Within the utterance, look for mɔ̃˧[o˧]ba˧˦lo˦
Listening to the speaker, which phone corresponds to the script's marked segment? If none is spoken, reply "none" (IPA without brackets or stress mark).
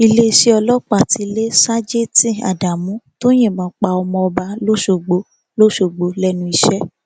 ɔ˧